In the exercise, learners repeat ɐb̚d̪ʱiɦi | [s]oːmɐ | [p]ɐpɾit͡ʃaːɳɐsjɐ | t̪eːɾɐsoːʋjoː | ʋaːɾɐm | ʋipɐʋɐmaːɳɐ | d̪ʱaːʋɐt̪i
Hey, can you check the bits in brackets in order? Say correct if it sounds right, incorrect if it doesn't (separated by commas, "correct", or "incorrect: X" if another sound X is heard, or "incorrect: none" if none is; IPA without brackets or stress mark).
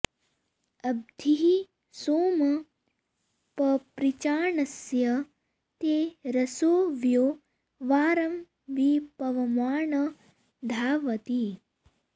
correct, correct